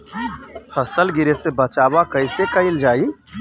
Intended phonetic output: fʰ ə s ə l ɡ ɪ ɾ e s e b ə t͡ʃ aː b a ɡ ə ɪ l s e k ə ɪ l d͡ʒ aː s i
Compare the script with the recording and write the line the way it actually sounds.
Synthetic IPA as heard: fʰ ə s ə l ɡ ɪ ɾ e s e b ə t͡ʃ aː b a k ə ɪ s e k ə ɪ l d͡ʒ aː i